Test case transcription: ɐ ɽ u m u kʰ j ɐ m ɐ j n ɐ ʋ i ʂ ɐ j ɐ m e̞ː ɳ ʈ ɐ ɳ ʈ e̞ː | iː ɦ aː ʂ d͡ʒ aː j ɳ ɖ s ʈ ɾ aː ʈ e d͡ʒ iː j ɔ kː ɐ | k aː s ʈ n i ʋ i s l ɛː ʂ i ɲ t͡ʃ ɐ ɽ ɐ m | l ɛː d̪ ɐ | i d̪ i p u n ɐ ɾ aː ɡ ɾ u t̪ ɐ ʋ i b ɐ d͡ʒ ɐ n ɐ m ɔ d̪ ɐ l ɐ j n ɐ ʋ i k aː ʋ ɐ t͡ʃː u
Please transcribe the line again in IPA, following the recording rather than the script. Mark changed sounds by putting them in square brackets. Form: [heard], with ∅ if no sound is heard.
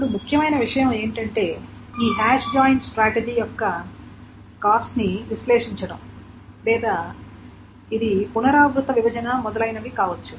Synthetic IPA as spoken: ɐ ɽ u m u kʰ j ɐ m ɐ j n ɐ ʋ i ʂ ɐ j ɐ m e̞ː ɳ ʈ ɐ ɳ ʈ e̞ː | iː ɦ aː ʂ d͡ʒ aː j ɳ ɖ s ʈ ɾ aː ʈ e d͡ʒ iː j ɔ kː ɐ | k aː s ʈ n i ʋ i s l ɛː ʂ i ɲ t͡ʃ ɐ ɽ ɐ m | l ɛː d̪ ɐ | i d̪ i p u n ɐ ɾ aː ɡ ɾ u t̪ ɐ ʋ i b ɐ d͡ʒ ɐ n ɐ m ɔ d̪ ɐ l ɐ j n ɐ ʋ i k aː ʋ ɐ t͡ʃː u